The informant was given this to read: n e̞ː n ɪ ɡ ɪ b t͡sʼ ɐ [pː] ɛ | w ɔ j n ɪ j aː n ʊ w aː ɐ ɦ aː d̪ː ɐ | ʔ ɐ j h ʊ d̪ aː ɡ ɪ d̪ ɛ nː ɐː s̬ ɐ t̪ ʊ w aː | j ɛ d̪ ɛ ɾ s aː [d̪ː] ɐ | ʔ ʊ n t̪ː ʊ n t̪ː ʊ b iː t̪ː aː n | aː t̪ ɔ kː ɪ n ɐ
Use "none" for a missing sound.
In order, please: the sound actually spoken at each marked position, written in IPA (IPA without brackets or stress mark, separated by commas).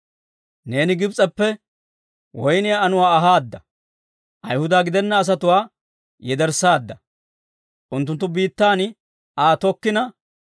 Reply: pː, d̪ː